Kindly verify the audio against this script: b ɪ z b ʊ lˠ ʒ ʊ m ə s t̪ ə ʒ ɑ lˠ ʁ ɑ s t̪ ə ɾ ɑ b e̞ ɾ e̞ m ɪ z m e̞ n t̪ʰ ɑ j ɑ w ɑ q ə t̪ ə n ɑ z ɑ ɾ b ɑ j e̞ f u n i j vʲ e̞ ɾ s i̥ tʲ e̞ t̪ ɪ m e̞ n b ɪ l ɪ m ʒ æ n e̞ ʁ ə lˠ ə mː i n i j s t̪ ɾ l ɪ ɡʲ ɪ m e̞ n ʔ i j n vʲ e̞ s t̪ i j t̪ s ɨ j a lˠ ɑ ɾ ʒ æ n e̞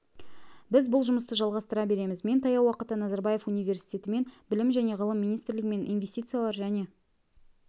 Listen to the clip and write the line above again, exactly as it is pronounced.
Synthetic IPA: b ɪ z b ʊ lˠ ʒ ʊ m ə s t̪ ə ʒ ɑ lˠ ʁ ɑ s t̪ ə ɾ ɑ b e̞ ɾ e̞ m ɪ z m e̞ n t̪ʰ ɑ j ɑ w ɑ q ə t̪ ə n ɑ z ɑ ɾ b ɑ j e̞ f u n i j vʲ e̞ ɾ s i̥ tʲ e̞ t̪ ɪ m e̞ n b ɪ l ɪ m ʒ æ n e̞ ʁ ə lˠ ə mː i n i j s t̪ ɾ l ɪ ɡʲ ɪ m e̞ n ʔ i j n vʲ e̞ s t̪ i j t̪ s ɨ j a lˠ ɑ ɾ ʒ æ n e̞